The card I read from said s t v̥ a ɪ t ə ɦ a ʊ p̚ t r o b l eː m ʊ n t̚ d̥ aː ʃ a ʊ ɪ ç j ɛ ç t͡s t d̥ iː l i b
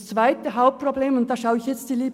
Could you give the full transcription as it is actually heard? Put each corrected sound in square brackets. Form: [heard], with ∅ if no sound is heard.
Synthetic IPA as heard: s [t͡s] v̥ a ɪ t ə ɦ a ʊ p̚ [p] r o b l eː m ʊ n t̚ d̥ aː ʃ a ʊ ɪ ç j ɛ [∅] t͡s t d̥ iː l [iː] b